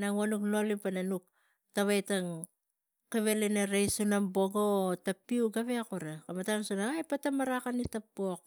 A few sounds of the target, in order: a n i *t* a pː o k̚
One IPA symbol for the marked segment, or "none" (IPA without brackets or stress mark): t